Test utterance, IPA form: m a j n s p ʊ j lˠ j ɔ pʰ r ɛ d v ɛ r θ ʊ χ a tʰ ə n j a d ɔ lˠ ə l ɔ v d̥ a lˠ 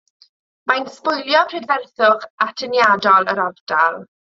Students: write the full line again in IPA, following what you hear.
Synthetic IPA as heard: m a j n s p ʊ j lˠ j ɔ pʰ r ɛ d v ɛ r θ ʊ χ a tʰ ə n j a d ɔ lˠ ə ɾ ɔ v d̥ a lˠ

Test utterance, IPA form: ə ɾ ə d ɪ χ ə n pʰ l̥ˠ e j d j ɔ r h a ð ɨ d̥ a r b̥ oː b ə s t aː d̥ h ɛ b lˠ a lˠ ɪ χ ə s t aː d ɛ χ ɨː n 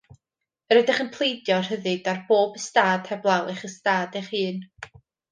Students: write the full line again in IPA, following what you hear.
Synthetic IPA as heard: ə ɾ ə d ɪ χ ə n pʰ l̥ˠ e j d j ɔ r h ə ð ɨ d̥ a r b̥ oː b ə s t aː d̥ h ɛ b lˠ a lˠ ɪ χ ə s t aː d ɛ χ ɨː n

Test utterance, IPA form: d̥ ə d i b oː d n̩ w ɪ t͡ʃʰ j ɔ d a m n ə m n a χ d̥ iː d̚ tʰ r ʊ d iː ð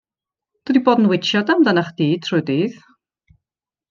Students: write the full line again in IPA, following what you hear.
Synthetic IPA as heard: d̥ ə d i b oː d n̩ w ɪ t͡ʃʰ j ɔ d a m d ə n a χ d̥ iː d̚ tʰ r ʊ d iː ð

